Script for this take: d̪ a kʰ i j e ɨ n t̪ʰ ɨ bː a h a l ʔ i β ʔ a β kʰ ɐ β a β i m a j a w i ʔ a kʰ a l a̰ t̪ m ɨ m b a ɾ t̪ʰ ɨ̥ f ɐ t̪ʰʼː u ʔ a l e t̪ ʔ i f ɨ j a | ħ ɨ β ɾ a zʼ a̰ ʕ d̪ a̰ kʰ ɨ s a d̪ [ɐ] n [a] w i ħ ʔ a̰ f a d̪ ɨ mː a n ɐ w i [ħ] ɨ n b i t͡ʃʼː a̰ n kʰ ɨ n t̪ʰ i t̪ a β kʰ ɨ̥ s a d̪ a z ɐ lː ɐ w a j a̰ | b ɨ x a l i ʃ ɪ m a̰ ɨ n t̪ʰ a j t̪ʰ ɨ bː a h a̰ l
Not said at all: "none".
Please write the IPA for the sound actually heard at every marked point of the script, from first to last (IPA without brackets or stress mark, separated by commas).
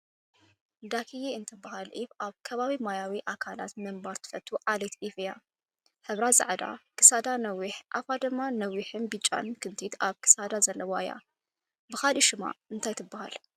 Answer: a, ɐ, ħ